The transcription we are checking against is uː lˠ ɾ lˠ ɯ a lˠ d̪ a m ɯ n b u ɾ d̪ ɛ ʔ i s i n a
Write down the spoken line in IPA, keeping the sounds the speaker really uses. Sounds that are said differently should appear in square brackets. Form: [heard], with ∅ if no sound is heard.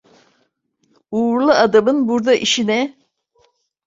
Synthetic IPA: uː [∅] ɾ lˠ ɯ a [∅] d̪ a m ɯ n b u ɾ d̪ [a] ʔ i [ʃ] i n [ɛ]